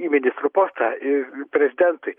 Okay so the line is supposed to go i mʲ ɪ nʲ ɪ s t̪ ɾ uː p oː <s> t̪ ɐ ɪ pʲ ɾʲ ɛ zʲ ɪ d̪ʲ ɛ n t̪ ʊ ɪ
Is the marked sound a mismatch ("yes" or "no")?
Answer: no